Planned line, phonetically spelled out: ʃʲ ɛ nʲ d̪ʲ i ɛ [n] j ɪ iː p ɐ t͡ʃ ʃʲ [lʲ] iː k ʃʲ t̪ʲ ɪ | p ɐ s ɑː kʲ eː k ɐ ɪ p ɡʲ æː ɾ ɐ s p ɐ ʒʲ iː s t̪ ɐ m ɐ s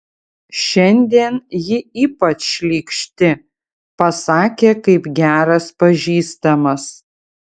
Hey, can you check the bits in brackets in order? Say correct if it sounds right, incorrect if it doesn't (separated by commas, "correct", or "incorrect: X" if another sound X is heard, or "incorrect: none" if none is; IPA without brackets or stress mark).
correct, correct